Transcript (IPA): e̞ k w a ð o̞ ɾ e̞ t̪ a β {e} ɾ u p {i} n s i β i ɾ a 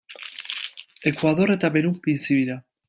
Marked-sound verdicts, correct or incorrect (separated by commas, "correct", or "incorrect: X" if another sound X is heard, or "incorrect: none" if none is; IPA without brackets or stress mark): correct, correct